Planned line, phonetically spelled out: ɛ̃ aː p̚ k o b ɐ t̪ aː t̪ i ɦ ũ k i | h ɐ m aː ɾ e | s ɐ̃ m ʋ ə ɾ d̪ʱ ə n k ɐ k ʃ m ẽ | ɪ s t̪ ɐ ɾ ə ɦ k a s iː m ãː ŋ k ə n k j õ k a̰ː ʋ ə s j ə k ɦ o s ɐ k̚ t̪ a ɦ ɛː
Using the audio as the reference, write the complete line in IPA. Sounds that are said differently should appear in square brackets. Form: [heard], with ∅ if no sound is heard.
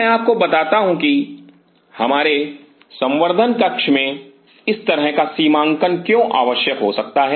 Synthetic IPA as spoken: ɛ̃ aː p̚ k o b ɐ t̪ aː t̪ [a] ɦ ũ k i | h ɐ m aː ɾ e | s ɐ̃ m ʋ ə ɾ d̪ʱ ə n k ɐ k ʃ m ẽ | ɪ s t̪ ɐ ɾ ə ɦ k a s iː m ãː ŋ k ə n k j õ [ʔ] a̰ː ʋ ə [ʃ] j ə k ɦ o s ɐ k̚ t̪ a ɦ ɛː